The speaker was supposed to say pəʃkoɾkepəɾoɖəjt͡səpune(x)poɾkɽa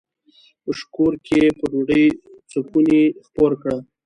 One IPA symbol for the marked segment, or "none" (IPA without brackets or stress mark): x